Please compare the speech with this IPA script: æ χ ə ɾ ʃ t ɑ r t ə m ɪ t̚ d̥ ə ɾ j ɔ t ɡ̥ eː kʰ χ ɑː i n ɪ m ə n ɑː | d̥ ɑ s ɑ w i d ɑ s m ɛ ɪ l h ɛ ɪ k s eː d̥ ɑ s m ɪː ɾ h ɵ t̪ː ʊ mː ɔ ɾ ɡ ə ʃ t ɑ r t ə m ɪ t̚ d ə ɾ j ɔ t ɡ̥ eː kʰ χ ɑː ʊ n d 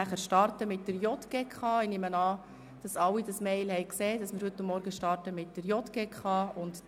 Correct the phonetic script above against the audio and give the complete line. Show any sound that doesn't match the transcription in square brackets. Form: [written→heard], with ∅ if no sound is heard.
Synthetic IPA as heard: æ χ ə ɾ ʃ t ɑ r t ə m ɪ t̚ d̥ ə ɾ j ɔ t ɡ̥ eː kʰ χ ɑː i n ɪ m ə n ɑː | d̥ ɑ s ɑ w i d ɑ s m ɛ ɪ l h ɛ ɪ k s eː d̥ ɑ s m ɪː ɾ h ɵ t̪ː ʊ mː ɔ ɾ ɡ ə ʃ t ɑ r t ə m ɪ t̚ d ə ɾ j ɔ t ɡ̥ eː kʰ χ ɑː ʊ n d